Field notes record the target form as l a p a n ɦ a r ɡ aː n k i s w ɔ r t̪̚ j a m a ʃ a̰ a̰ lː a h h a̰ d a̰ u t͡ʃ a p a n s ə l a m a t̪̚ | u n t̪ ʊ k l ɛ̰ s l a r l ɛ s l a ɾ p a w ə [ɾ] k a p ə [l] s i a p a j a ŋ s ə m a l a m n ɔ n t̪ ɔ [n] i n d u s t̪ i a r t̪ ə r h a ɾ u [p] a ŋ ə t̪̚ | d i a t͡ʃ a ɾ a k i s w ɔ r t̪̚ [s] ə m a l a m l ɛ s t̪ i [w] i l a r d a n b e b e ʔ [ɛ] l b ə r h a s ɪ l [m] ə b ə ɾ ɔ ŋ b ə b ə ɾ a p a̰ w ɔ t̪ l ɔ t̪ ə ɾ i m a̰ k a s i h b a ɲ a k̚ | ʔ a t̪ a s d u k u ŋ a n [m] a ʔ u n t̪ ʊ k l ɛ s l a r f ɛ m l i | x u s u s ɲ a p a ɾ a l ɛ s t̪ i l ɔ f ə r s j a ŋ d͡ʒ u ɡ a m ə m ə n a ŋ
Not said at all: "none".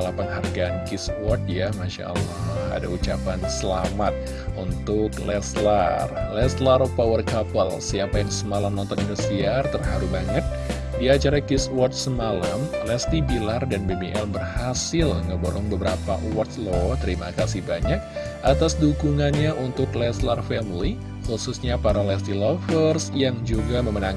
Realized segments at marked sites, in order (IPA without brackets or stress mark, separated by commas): r, l, n, b, s, b, ɛ, ŋ, ɲ